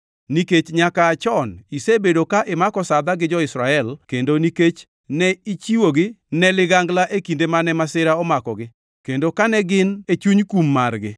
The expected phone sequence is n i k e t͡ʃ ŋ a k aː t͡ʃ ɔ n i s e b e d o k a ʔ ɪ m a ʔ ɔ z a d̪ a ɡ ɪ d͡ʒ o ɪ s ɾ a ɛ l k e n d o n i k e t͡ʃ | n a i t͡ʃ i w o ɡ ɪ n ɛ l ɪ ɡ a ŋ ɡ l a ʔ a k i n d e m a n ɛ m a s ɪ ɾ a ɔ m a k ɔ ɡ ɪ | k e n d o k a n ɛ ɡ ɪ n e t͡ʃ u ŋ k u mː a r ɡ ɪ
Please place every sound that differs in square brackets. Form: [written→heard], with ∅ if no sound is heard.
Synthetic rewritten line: n i k e t͡ʃ [ŋ→ɲ] a k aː t͡ʃ ɔ n i s e b e d o k a ʔ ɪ m a [ʔ→k] ɔ [z→s] a d̪ a ɡ ɪ d͡ʒ [o→ɔ] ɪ s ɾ a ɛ l k e n d o n i k e t͡ʃ | n [a→ɛ] i t͡ʃ i w o ɡ ɪ n ɛ l ɪ ɡ a ŋ ɡ l a ʔ [a→e] k i n d e m a n ɛ m a s ɪ ɾ a ɔ m a k ɔ ɡ ɪ | k e n d o k a n ɛ ɡ ɪ n e t͡ʃ u [ŋ→ɲ] k u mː a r ɡ ɪ

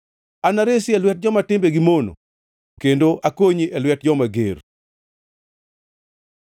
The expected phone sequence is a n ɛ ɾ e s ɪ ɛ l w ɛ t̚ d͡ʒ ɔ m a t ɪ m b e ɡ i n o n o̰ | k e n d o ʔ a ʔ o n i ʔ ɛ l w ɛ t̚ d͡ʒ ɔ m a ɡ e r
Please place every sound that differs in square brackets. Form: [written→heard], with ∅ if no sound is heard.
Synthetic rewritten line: a n [ɛ→a] ɾ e s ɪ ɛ l w ɛ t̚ d͡ʒ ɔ m a t ɪ m b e ɡ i [n→m] o n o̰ | k e n d o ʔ a [ʔ→k] o [n→ɲ] i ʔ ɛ l w ɛ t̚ d͡ʒ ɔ m a ɡ e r

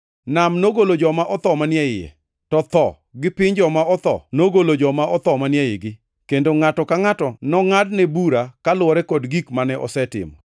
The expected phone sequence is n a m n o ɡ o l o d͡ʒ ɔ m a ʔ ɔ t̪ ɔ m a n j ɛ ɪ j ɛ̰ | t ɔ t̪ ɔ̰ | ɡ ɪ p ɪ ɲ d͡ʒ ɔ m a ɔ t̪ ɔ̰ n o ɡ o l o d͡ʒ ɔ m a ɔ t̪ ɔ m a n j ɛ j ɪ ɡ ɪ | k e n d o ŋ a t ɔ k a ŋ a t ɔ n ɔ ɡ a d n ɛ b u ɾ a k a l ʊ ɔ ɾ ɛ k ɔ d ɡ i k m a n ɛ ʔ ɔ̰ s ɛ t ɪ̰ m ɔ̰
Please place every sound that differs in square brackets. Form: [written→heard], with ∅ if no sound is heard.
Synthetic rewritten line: n a m n o ɡ o l o d͡ʒ ɔ m a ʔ ɔ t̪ ɔ m a n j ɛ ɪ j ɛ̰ | t ɔ t̪ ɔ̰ | ɡ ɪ p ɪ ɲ d͡ʒ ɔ m a ɔ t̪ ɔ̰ n o ɡ o l o d͡ʒ ɔ m a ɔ t̪ ɔ m a n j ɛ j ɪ ɡ ɪ | k e n d o ŋ a t ɔ k a ŋ a t ɔ n ɔ [ɡ→ŋ] a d n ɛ b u ɾ a k a l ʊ ɔ ɾ ɛ k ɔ d ɡ i k m a n ɛ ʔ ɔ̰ s ɛ t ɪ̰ m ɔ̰

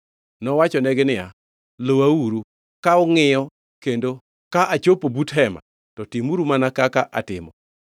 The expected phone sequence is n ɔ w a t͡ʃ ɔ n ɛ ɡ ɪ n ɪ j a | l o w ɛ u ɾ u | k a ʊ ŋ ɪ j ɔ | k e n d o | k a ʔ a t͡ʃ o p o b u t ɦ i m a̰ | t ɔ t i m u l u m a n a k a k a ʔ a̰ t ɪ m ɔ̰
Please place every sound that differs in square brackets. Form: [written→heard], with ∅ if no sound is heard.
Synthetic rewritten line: n ɔ w a t͡ʃ ɔ n ɛ ɡ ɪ n ɪ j a | l o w [ɛ→a] u ɾ u | k a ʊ ŋ ɪ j ɔ | k e n d o | k a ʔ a t͡ʃ o p o b u t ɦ [i→ɛ] m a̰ | t ɔ t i m u [l→ɾ] u m a n a k a k a ʔ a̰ t ɪ m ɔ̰

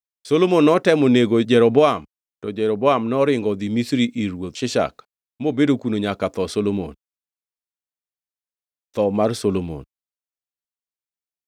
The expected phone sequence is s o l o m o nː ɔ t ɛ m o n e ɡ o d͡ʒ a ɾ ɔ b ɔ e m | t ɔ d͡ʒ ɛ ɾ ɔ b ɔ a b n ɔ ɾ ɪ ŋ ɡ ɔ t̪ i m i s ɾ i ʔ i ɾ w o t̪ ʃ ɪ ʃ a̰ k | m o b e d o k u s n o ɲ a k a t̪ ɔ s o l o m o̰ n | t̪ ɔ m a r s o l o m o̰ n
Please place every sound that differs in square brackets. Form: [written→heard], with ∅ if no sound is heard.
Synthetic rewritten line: s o l o m o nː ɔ t ɛ m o n e ɡ o d͡ʒ [a→ɛ] ɾ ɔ b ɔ [e→a] m | t ɔ d͡ʒ ɛ ɾ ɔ b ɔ a [b→m] n ɔ ɾ ɪ ŋ ɡ ɔ [t̪→d̪] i m i s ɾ i ʔ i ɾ w o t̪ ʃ ɪ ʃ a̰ k | m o b e d o k u [s→∅] n o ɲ a k a t̪ ɔ s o l o m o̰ n | t̪ ɔ m a r s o l o m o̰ n

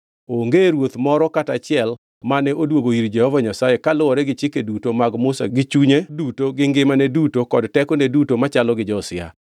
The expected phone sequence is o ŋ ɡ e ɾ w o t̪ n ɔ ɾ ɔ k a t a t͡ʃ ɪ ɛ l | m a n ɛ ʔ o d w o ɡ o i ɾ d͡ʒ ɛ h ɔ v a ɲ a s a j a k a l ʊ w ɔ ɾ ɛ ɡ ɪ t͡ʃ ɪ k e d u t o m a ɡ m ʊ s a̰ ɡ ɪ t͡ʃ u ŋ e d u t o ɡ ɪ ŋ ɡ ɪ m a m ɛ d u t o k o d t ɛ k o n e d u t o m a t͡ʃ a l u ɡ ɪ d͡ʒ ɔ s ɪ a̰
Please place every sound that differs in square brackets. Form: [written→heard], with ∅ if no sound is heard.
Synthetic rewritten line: o ŋ ɡ e ɾ w o t̪ [n→m] ɔ ɾ ɔ k a t a t͡ʃ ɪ ɛ l | m a n ɛ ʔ o d w o ɡ o i ɾ d͡ʒ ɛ h ɔ v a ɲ a s a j [a→e] k a l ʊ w ɔ ɾ ɛ ɡ ɪ t͡ʃ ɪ k e d u t o m a ɡ m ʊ s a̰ ɡ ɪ t͡ʃ u [ŋ→ɲ] e d u t o ɡ ɪ ŋ ɡ ɪ m a [m→n] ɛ d u t o k [o→ɔ] d t ɛ k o n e d u t o m a t͡ʃ a l [u→ɔ] ɡ ɪ d͡ʒ ɔ s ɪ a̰

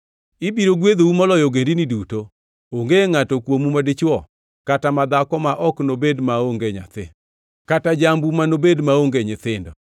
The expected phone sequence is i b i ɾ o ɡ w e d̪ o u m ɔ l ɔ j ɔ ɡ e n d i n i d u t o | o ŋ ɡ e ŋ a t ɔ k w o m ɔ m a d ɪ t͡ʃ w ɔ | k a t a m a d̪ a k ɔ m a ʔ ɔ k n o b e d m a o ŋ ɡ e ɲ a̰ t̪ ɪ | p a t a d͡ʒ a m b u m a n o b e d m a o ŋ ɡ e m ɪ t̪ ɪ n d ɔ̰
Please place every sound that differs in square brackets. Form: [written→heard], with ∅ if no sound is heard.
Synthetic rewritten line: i b i ɾ o ɡ w e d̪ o u m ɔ l ɔ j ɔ ɡ e n d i n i d u t o | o ŋ ɡ e ŋ a t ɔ k w o m [ɔ→u] m a d ɪ t͡ʃ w ɔ | k a t a m a d̪ a k ɔ m a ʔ ɔ k n o b e d m a o ŋ ɡ e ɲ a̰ t̪ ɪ | [p→k] a t a d͡ʒ a m b u m a n o b e d m a o ŋ ɡ e [m→ɲ] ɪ t̪ ɪ n d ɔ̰

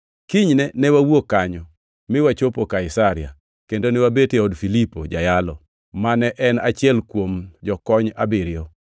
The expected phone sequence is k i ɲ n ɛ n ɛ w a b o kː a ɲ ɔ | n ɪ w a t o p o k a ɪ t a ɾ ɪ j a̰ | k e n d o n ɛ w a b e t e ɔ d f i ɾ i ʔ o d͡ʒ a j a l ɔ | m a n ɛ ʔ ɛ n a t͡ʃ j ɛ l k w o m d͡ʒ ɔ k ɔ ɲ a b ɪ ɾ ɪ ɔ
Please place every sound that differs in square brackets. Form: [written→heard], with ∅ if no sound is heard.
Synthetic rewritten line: k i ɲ n ɛ n ɛ w a [b→w] o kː a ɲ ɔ | [n→m] ɪ w a [t→t͡ʃ] o p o k a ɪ [t→s] a ɾ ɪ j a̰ | k e n d o n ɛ w a b e t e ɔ d f i [ɾ→l] i [ʔ→p] o d͡ʒ a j a l ɔ | m a n ɛ ʔ ɛ n a t͡ʃ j ɛ l k w o m d͡ʒ ɔ k ɔ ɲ a b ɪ ɾ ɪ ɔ

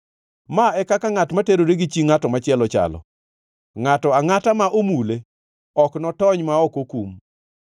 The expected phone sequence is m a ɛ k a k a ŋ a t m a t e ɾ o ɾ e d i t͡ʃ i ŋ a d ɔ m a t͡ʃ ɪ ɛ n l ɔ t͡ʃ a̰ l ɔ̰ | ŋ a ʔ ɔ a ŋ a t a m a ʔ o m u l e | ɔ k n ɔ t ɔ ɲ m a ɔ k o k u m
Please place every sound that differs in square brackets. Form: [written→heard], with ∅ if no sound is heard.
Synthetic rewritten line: m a ɛ k a k a ŋ a t m a t e ɾ o ɾ e [d→ɡ] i t͡ʃ i ŋ a [d→t] ɔ m a t͡ʃ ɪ ɛ [n→∅] l ɔ t͡ʃ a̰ l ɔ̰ | ŋ a [ʔ→t] ɔ a ŋ a t a m a ʔ o m u l e | ɔ k n ɔ t ɔ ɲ m a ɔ k o k u m

